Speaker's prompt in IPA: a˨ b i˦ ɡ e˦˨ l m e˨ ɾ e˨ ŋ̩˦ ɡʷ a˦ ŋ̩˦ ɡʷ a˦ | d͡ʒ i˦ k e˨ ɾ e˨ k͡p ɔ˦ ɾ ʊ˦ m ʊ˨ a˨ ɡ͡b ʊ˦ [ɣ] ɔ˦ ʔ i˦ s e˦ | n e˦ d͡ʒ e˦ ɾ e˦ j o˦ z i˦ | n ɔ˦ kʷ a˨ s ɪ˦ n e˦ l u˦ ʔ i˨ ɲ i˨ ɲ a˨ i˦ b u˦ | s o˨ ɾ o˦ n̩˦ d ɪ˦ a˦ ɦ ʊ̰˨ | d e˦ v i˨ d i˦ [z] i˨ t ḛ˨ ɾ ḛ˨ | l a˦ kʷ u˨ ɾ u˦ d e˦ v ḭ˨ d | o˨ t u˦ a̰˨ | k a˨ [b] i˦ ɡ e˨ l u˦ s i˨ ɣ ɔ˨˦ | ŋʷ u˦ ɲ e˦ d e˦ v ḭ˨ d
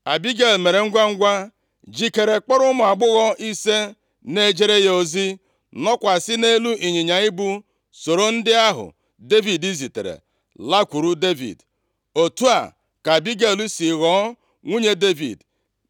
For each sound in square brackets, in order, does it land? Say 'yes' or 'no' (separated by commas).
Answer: yes, yes, yes